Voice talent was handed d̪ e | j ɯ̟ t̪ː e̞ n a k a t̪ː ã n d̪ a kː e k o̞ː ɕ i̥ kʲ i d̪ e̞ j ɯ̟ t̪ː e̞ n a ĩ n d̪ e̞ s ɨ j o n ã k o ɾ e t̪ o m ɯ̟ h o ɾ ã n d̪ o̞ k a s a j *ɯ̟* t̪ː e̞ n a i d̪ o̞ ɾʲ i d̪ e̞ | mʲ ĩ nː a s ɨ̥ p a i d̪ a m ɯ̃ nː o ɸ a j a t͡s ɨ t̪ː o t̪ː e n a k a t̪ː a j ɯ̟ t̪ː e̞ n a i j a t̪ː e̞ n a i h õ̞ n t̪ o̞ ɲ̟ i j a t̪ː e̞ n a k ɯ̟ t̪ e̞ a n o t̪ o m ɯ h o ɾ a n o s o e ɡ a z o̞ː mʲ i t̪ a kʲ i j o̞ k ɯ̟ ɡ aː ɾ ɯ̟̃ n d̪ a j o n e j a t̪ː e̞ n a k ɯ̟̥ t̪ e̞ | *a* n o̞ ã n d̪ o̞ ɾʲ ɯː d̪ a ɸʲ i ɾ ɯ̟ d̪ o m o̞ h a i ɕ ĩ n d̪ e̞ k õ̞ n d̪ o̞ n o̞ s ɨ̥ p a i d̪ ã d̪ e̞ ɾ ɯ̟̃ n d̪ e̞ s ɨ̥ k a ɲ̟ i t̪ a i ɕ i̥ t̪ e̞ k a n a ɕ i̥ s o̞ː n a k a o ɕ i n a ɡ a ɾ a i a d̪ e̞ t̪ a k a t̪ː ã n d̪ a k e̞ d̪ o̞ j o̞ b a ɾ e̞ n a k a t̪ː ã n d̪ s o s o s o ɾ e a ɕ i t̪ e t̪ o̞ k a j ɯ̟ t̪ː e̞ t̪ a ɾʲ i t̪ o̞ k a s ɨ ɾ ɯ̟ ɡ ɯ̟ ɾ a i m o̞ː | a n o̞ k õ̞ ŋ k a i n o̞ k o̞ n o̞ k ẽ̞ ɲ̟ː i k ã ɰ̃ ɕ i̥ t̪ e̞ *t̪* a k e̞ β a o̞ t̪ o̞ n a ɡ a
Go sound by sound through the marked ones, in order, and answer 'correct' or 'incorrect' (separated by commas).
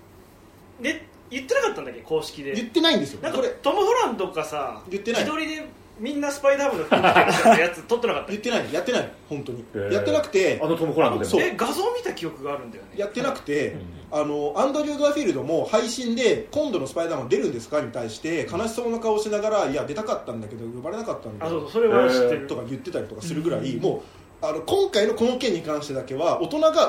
correct, correct, incorrect